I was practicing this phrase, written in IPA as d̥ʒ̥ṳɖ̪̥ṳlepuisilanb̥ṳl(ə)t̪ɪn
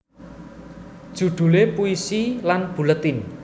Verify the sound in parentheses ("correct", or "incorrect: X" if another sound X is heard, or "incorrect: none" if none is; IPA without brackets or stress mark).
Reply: correct